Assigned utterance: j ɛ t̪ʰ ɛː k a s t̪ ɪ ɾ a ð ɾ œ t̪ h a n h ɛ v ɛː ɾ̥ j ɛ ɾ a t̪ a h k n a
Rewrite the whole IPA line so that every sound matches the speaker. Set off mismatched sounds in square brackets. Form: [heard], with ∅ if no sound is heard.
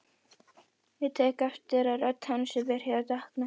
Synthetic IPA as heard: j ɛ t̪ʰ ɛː k a [f] t̪ ɪ ɾ a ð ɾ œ t̪ h a n [s] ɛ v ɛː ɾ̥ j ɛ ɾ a t̪ a h k n a